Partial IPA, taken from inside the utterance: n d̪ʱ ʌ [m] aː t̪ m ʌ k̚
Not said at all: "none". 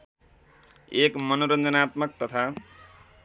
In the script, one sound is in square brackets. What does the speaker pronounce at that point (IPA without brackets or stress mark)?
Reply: n